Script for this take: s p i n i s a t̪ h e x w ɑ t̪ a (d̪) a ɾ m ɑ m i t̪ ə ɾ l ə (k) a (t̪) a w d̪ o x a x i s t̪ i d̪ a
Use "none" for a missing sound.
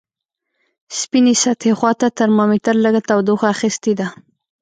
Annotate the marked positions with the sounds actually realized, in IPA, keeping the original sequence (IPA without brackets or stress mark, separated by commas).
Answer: t̪, ɡ, t̪